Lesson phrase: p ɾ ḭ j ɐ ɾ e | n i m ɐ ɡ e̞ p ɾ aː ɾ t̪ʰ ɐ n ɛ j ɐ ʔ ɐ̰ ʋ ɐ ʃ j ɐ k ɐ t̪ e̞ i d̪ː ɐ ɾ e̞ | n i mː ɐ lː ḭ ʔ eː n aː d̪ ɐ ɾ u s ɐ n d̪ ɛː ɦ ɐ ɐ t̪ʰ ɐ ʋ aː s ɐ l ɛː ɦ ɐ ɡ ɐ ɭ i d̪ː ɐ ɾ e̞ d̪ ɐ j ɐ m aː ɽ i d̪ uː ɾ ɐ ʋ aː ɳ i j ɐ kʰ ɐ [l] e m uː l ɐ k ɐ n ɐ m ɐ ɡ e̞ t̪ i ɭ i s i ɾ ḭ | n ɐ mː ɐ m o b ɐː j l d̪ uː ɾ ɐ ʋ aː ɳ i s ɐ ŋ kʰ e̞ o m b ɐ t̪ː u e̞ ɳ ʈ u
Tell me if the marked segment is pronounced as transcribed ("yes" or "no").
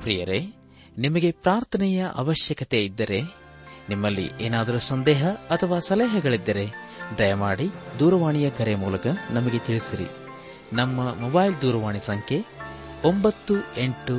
no